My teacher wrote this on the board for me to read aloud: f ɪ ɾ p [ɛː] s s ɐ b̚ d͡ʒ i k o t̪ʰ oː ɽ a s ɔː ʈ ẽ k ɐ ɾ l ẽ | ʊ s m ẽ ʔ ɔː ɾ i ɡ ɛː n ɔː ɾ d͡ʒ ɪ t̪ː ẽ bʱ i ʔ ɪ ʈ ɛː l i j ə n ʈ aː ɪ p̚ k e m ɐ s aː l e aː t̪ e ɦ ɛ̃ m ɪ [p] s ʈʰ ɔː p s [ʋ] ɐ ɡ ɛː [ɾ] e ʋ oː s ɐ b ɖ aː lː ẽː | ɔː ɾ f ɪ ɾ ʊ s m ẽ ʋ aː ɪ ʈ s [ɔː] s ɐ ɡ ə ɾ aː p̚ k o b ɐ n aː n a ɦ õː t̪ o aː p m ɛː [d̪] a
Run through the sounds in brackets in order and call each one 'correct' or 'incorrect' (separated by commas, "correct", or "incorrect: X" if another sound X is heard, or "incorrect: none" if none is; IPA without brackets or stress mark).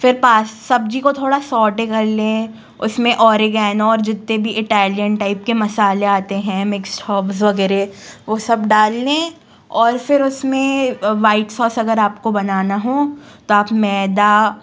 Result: incorrect: aː, incorrect: k, correct, correct, correct, correct